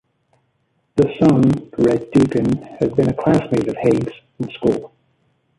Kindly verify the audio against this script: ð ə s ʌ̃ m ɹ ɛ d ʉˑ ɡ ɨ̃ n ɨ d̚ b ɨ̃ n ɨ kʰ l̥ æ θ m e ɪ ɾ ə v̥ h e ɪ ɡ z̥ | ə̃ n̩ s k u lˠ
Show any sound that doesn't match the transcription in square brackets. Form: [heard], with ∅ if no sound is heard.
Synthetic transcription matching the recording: ð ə s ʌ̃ [n] ɹ ɛ d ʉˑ [k] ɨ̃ n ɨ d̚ b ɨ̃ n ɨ kʰ l̥ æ [s] m e ɪ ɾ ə v̥ h e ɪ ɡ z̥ | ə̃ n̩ s k u lˠ